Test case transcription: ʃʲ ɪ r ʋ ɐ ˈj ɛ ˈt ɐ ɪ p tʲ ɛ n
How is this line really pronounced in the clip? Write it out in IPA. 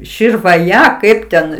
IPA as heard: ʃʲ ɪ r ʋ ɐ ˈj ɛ ˈk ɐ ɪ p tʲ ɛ n

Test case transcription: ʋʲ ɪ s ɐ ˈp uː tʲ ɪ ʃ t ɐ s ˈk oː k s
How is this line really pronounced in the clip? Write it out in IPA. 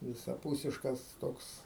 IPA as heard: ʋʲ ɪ s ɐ ˈp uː sʲ ɪ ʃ k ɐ s ˈt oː k s

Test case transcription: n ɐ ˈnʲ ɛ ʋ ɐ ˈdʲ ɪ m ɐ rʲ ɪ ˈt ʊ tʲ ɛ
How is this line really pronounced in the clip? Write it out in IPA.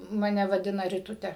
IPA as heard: m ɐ ˈnʲ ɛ ʋ ɐ ˈdʲ ɪ n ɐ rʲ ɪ ˈt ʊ tʲ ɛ

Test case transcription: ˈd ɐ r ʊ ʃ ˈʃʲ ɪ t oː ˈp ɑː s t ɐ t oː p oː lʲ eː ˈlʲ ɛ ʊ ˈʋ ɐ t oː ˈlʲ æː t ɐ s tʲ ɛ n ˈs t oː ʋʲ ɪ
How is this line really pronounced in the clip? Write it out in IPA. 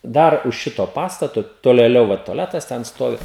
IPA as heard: ˈd ɐ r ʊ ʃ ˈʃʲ ɪ t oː ˈp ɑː s t ɐ t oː t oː lʲ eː ˈlʲ ɛ ʊ ˈʋ ɐ t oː ˈlʲ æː t ɐ s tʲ ɛ n ˈs t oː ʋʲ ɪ

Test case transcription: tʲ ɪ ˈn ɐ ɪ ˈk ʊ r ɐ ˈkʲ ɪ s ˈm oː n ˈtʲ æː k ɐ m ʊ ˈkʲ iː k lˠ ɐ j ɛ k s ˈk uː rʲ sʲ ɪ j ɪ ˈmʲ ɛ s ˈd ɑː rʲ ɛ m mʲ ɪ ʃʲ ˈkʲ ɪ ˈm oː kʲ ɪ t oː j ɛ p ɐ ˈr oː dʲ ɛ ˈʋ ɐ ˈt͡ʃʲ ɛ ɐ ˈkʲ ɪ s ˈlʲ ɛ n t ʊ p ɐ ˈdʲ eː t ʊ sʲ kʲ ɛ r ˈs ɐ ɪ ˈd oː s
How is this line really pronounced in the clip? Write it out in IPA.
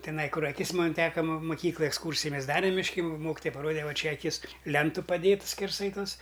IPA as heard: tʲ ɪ ˈn ɐ ɪ ˈk ʊ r ɐ ˈkʲ ɪ s ˈm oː n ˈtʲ æː k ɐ m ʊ ˈkʲ iː k lˠ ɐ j ɛ k s ˈk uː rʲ sʲ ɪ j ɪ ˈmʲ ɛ s ˈd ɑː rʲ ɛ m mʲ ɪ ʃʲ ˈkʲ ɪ ˈm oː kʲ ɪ t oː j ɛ p ɐ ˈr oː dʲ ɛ ˈʋ ɐ ˈt͡ʃʲ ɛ ɐ ˈkʲ ɪ s ˈlʲ ɛ n t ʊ p ɐ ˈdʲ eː t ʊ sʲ kʲ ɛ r ˈs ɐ ɪ ˈt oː s

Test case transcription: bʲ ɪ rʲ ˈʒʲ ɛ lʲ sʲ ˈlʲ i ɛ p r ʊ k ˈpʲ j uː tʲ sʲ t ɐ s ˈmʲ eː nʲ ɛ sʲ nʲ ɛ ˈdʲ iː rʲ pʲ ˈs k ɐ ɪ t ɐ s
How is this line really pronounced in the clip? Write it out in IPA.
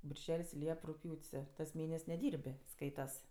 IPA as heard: bʲ ɪ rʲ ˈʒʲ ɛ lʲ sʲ ˈlʲ i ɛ p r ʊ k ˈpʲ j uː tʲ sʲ t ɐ s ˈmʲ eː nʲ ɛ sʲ nʲ ɛ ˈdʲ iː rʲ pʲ ˈs k ɐ ɪ t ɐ s

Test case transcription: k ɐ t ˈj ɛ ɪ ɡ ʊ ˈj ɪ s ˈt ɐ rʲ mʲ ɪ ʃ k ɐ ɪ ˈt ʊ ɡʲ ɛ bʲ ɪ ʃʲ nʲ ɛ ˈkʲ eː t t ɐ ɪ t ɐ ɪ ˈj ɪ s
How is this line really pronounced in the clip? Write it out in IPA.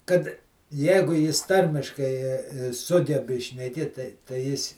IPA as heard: k ɐ t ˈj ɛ ɪ ɡ ʊ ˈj ɪ s ˈt ɐ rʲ mʲ ɪ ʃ k ɐ ɪ ˈs ʊ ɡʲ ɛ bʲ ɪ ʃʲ nʲ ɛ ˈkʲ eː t t ɐ ɪ t ɐ ɪ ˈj ɪ s

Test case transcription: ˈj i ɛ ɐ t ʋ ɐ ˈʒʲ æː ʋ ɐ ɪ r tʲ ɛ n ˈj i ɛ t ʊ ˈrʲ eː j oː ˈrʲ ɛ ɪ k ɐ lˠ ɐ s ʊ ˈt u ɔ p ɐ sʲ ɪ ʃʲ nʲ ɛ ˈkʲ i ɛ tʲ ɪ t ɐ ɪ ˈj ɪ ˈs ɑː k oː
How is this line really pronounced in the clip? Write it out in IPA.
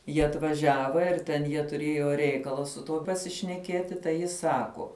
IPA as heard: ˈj i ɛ ɐ t ʋ ɐ ˈʒʲ æː ʋ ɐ ɪ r tʲ ɛ n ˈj i ɛ t ʊ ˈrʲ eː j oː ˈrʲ ɛ ɪ k ɐ lˠ ɐ s ʊ ˈt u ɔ p ɐ sʲ ɪ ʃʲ nʲ ɛ ˈkʲ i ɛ tʲ ɪ t ɐ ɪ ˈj ɪ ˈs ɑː k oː

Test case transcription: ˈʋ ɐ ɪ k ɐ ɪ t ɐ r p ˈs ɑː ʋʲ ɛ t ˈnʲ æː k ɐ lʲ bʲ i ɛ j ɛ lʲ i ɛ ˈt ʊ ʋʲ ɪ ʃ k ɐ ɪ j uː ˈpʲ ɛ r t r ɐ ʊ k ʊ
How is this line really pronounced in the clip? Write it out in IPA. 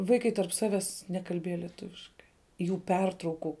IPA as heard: ˈʋ ɐ ɪ k ɐ ɪ t ɐ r p ˈs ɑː ʋʲ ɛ s ˈnʲ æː k ɐ lʲ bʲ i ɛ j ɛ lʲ i ɛ ˈt ʊ ʋʲ ɪ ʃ k ɐ ɪ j uː ˈpʲ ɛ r t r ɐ ʊ k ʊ

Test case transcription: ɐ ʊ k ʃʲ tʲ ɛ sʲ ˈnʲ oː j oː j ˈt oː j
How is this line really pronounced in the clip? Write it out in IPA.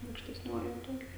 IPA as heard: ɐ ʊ k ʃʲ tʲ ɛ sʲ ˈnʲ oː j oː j ˈt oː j

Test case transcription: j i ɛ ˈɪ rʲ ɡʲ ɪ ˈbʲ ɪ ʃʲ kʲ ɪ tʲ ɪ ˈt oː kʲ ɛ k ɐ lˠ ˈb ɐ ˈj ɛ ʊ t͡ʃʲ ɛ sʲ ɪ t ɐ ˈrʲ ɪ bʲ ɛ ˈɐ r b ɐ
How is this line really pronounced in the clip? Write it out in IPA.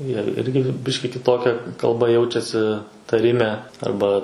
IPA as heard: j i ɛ ˈɪ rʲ ɡʲ ɪ ˈbʲ ɪ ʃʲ kʲ ɪ kʲ ɪ ˈt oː kʲ ɛ k ɐ lˠ ˈb ɐ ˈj ɛ ʊ t͡ʃʲ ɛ sʲ ɪ t ɐ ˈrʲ ɪ mʲ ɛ ˈɐ r b ɐ

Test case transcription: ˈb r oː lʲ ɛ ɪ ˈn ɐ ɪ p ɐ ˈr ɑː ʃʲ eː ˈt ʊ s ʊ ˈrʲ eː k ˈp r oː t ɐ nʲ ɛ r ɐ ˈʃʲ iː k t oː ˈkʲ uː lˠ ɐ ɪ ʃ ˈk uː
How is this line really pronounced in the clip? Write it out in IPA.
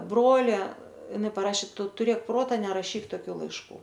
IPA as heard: ˈb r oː lʲ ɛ ɪ ˈn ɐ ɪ p ɐ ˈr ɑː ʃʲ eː ˈt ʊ t ʊ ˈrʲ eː k ˈp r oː t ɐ nʲ ɛ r ɐ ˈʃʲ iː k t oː ˈkʲ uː lˠ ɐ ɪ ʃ ˈk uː

